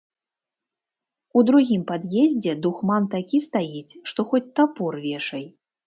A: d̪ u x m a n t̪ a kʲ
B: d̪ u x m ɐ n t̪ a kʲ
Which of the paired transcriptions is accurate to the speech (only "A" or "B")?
A